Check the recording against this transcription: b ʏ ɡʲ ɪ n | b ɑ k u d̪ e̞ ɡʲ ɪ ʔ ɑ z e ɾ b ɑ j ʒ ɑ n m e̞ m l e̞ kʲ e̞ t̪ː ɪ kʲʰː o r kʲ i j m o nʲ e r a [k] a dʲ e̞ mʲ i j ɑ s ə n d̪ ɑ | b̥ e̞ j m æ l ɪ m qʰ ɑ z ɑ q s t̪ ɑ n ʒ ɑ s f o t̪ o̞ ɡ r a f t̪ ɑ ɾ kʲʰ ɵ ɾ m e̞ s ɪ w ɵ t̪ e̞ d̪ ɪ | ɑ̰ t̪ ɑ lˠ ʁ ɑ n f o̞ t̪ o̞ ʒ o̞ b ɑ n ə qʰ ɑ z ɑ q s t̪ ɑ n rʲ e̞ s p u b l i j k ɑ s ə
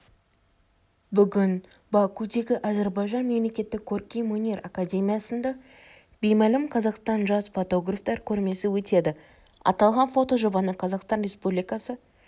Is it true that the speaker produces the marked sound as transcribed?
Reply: yes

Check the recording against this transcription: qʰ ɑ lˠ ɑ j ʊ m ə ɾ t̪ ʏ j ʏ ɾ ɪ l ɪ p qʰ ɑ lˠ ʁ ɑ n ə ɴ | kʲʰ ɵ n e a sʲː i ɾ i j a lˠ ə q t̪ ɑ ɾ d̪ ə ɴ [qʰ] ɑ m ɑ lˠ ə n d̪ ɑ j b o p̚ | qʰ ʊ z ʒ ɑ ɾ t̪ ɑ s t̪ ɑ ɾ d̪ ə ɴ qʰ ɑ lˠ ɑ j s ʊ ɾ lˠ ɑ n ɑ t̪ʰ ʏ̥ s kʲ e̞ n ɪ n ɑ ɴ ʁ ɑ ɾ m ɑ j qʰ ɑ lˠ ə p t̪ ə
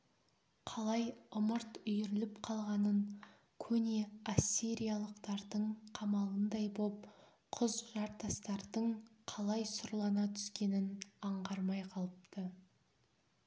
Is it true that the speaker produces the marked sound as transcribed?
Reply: yes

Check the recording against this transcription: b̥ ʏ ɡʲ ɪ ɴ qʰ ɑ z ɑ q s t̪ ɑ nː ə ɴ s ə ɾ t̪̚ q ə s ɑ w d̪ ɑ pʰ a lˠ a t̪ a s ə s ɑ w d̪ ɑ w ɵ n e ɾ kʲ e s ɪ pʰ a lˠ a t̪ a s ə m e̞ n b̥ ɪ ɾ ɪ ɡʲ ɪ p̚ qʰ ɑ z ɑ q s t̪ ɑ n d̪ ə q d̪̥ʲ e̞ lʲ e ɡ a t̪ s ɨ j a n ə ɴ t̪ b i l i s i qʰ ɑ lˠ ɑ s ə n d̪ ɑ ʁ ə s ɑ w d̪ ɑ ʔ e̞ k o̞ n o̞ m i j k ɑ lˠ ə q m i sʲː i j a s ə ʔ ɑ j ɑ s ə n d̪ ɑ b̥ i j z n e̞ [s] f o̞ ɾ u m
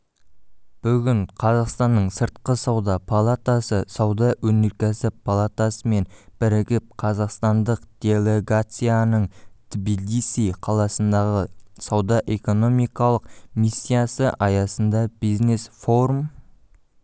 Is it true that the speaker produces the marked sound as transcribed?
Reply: yes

